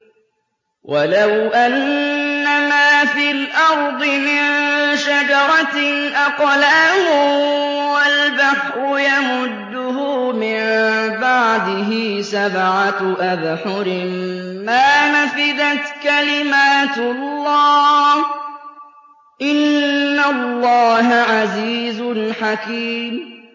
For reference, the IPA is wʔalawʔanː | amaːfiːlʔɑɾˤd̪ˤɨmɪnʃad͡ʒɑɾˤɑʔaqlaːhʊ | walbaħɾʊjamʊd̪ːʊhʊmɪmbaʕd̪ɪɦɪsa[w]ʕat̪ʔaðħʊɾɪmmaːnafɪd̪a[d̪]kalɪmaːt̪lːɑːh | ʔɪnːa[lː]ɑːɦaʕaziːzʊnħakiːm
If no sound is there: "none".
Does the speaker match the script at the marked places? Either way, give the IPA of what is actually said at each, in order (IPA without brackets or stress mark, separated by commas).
b, t̪, lː